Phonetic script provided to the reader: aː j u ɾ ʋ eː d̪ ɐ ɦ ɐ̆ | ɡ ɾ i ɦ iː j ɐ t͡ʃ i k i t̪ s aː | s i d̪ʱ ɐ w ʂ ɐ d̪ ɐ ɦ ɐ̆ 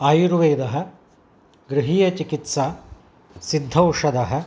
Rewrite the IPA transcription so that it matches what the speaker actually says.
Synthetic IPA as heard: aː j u ɾ ʋ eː d̪ ɐ ɦ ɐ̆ | ɡ ɾ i ɦ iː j ɐ t͡ʃ i k i t̪ s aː | s i d̪ʱ ɐ w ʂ ɐ d̪ ɐ ɦ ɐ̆